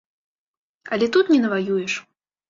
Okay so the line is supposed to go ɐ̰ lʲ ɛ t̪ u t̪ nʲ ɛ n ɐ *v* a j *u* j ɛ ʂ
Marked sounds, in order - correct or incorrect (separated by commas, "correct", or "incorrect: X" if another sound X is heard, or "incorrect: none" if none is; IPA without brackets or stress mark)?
correct, correct